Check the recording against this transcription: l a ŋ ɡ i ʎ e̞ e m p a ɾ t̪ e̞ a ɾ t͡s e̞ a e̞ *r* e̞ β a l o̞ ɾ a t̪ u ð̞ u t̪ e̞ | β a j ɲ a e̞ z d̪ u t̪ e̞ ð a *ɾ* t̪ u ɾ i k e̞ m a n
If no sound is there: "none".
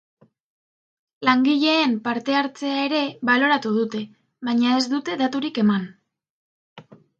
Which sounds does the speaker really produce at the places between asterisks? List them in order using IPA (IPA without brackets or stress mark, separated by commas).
ɾ, none